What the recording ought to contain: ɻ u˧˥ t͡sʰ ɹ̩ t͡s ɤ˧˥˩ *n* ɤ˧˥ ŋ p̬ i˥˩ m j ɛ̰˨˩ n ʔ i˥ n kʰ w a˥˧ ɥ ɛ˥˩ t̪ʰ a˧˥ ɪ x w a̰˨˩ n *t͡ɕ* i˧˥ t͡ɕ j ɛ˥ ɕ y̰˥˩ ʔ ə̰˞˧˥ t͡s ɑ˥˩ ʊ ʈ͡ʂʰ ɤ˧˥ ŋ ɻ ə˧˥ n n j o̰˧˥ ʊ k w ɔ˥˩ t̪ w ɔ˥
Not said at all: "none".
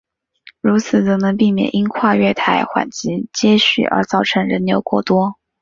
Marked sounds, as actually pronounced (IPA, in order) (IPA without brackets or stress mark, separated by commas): n, t͡ɕ